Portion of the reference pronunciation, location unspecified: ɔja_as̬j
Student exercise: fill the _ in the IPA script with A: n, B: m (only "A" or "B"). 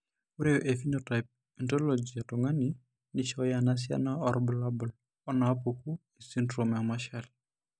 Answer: A